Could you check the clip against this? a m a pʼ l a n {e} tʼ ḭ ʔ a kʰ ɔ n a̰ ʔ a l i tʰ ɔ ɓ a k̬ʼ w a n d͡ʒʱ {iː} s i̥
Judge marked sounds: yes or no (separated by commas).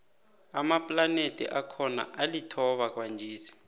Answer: yes, yes